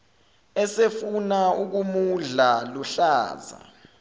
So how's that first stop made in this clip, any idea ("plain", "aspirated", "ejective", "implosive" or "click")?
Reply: plain